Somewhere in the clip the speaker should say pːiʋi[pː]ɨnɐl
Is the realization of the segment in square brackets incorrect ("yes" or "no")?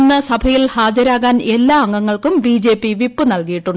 no